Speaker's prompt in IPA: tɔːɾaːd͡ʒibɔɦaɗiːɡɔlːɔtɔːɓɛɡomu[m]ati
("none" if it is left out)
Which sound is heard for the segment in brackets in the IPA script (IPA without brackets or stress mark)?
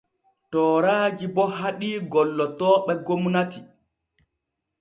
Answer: n